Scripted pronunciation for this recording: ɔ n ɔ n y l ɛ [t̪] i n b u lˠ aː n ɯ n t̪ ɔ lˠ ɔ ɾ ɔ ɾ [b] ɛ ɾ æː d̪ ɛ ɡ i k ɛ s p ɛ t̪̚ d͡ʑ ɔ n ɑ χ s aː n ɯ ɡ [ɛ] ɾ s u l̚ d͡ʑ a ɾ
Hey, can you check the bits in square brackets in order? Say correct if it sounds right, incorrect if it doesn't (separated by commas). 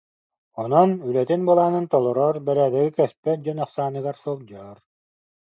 correct, correct, incorrect